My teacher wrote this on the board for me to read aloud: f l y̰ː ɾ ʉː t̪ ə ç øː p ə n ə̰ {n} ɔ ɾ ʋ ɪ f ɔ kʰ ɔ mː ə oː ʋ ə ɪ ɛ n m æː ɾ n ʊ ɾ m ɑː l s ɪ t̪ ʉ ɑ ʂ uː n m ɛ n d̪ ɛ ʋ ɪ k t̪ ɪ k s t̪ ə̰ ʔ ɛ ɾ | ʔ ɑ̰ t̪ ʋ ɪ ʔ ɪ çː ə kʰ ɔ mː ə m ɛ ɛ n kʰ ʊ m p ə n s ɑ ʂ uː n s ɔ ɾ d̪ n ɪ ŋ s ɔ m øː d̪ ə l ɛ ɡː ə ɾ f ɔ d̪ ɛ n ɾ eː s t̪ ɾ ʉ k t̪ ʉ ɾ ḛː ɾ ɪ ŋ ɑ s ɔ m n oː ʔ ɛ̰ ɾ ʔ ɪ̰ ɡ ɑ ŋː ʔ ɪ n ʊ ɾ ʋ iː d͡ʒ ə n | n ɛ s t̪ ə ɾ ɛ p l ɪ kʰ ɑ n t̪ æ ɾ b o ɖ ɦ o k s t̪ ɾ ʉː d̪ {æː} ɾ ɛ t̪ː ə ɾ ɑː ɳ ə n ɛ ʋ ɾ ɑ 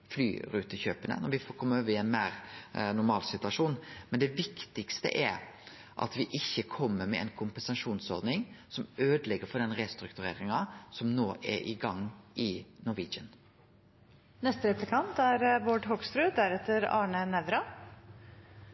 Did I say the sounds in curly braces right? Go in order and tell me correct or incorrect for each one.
correct, incorrect: æ

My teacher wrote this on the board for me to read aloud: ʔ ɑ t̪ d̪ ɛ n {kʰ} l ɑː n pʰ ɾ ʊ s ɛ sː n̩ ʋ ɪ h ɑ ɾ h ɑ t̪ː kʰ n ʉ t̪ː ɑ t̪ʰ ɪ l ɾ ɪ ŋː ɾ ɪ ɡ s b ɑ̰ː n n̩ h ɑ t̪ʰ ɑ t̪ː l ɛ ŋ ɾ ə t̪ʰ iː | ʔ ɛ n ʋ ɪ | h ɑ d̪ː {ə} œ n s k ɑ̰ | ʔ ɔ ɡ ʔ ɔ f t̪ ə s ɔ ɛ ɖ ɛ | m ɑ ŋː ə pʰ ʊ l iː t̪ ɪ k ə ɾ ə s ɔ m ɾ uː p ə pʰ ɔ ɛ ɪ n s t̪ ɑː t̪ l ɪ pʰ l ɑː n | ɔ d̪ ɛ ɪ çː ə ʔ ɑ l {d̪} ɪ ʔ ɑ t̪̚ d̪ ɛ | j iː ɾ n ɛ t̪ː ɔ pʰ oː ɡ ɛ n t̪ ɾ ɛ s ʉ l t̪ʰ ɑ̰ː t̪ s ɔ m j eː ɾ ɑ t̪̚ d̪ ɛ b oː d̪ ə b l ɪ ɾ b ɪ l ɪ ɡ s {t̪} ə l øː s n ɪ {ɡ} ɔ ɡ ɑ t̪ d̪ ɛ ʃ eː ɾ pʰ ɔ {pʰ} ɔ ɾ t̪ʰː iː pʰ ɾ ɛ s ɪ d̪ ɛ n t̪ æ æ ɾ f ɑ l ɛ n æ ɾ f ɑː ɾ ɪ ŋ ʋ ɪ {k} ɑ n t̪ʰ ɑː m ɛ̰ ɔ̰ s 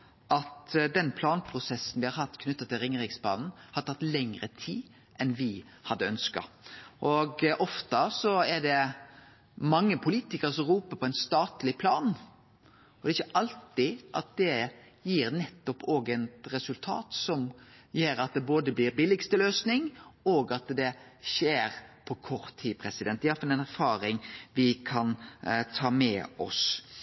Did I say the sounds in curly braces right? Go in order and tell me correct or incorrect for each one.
incorrect: pʰ, correct, incorrect: t̪, correct, incorrect: ŋ, incorrect: kʰ, incorrect: kʰ

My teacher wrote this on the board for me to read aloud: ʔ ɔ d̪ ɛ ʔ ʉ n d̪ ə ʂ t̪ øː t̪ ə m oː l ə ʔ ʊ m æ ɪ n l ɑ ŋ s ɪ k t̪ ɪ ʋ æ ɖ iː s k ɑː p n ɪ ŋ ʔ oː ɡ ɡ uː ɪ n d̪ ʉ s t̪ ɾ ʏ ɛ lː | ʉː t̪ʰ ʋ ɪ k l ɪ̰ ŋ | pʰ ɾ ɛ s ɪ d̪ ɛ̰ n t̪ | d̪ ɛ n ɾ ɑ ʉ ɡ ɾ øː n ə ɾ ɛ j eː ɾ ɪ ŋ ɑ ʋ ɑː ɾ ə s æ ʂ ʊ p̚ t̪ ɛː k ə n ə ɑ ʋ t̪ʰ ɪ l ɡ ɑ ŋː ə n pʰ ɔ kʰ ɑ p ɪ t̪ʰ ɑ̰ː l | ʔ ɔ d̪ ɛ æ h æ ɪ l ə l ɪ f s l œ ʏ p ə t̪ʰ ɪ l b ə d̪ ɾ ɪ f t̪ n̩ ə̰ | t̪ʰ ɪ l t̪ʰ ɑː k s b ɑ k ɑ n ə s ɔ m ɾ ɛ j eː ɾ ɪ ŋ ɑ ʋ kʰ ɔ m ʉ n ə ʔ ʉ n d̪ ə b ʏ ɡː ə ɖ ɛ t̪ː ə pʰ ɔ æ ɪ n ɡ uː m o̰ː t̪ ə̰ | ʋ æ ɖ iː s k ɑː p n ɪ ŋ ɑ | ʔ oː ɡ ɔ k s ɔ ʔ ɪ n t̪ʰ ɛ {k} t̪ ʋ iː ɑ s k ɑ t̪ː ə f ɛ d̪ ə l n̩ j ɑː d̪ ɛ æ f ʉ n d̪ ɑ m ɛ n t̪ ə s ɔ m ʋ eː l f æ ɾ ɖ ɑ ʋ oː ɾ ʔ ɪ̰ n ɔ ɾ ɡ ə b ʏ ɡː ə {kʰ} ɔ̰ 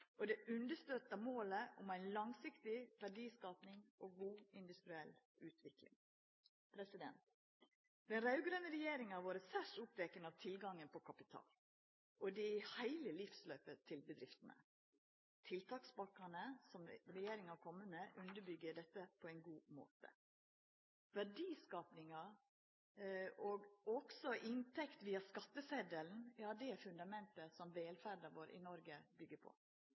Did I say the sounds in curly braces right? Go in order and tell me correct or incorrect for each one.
correct, incorrect: pʰ

